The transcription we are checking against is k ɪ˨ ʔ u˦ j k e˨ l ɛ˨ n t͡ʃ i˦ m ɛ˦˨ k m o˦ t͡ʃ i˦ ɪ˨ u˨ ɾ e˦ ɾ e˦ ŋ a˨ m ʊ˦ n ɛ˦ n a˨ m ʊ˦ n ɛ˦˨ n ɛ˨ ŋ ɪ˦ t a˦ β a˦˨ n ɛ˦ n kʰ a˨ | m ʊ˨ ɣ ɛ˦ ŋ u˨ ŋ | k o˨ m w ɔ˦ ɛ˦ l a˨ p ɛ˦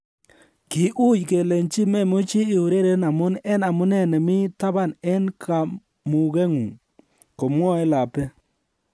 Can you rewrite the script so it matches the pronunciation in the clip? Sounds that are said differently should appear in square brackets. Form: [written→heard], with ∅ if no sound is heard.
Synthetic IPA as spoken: k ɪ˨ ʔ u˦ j k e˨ l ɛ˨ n t͡ʃ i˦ m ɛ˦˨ [k→∅] m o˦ t͡ʃ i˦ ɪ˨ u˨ ɾ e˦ ɾ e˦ [ŋ→n] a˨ m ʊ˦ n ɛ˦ n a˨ m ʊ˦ n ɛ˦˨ n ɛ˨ [ŋ→m] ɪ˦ t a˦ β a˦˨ n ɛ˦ n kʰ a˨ | m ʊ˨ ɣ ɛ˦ ŋ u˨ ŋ | k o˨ m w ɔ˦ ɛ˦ l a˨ p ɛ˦